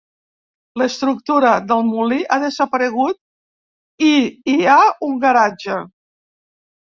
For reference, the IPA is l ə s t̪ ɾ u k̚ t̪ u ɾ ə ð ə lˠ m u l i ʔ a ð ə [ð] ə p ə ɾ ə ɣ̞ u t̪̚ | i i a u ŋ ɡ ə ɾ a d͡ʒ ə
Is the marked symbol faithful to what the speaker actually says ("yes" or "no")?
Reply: no